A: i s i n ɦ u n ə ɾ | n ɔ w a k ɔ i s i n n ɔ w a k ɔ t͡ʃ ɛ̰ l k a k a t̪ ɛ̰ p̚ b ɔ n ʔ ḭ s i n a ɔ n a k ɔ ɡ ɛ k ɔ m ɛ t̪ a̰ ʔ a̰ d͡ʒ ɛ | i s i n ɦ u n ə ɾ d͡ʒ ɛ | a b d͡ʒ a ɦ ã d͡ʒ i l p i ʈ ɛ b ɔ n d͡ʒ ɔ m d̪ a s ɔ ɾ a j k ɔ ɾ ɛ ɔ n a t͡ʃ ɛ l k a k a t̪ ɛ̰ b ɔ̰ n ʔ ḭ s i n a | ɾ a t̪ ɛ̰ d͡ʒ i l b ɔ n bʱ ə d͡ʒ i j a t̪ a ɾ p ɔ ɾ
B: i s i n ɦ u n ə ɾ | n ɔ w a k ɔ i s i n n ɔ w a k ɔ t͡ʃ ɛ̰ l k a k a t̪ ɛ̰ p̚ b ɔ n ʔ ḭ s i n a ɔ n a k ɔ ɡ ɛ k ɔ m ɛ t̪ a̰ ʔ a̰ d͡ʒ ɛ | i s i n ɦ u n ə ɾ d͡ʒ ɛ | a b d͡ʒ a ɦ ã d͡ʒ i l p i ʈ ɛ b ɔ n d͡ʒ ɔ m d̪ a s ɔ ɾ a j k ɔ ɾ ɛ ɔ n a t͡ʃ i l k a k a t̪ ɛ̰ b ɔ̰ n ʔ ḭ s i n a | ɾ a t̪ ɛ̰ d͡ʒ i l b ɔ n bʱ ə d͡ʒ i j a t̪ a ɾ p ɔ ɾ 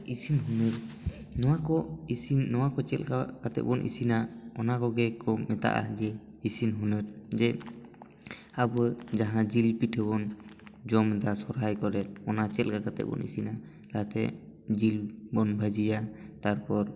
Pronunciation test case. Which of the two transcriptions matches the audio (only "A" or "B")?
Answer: A